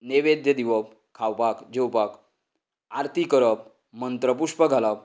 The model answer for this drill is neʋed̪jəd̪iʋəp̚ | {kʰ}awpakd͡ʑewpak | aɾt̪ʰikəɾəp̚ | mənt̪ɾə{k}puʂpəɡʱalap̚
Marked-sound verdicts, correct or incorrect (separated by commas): correct, incorrect